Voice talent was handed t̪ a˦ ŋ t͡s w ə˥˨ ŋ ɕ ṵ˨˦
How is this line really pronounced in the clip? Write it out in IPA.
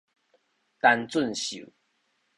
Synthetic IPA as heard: t̪ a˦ n t͡s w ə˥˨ n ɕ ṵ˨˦